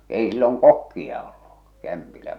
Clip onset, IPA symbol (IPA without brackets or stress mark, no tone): eˑ